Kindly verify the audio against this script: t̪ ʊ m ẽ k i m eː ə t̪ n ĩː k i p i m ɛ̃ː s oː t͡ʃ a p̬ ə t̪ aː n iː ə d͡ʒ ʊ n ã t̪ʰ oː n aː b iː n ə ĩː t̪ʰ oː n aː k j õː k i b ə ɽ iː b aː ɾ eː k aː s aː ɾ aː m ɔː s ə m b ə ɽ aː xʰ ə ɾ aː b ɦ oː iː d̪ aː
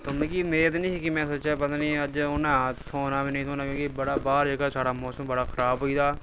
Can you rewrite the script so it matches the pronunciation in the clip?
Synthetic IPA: t̪ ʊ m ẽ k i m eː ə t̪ n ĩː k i k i m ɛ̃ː s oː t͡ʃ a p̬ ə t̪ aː n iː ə d͡ʒ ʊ n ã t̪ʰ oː n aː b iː n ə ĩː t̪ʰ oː n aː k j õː k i b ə ɽ aː b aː ɾ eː k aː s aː ɽ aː m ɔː s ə m b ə ɽ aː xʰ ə ɾ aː b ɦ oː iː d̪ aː